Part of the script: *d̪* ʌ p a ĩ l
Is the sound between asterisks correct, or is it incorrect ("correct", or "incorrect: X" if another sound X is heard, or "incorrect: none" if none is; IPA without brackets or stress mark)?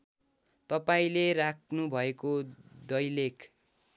incorrect: t̪